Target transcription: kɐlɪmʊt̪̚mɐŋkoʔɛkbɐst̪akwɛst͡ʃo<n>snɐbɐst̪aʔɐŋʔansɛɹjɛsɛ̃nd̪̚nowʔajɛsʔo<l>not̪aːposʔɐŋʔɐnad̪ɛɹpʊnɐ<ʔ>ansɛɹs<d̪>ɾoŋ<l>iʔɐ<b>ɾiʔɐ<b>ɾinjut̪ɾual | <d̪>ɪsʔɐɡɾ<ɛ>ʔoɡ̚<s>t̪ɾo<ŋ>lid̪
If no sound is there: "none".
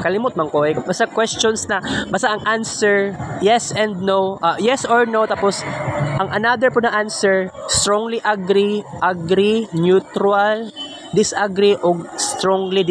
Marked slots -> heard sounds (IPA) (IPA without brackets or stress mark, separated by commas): n, ɹ, ʔ, t̪, l, ɡ, ɡ, d̪, i, s, ŋ